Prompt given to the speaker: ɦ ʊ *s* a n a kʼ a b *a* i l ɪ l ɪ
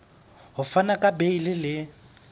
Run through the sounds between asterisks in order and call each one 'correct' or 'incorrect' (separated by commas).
incorrect, incorrect